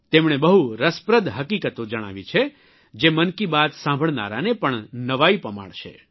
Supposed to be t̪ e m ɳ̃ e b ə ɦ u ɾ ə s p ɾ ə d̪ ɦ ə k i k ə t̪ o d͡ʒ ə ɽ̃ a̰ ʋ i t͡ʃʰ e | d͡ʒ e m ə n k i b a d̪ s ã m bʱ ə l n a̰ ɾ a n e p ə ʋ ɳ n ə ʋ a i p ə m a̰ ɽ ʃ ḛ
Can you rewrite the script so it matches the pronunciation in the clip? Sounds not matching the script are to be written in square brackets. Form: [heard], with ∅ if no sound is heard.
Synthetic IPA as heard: t̪ e m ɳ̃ e b ə ɦ u ɾ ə s p ɾ ə d̪ ɦ ə k i k ə t̪ o d͡ʒ ə ɽ̃ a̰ ʋ i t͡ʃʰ e | d͡ʒ e m ə n k i b a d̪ s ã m bʱ ə [ɭ] n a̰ ɾ a n e p ə [∅] ɳ n ə ʋ a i p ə m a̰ ɽ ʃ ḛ